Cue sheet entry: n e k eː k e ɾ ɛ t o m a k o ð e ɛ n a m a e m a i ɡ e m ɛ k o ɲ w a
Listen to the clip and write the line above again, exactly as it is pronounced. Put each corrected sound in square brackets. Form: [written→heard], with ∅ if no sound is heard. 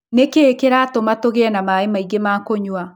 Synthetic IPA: n e k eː k e ɾ [ɛ→a] t o m a [k→t] o [ð→ɣ] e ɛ n a m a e m a i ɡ e m [ɛ→a] k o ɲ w a